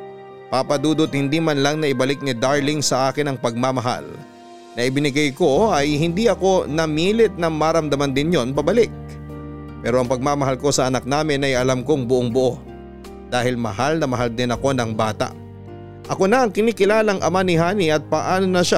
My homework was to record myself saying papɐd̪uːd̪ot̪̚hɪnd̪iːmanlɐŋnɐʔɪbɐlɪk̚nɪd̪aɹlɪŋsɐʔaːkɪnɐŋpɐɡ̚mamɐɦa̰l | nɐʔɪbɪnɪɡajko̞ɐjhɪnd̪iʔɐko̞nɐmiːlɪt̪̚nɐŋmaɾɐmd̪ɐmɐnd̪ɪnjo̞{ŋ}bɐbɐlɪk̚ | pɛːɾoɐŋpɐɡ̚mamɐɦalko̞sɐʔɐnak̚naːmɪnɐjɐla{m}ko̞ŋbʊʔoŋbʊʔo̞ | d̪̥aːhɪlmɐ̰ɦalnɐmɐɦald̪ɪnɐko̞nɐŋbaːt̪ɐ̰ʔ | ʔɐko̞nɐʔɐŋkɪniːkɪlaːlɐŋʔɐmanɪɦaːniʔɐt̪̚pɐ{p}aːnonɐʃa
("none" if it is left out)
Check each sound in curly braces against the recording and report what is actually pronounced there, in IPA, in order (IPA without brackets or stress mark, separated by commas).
n, m, ʔ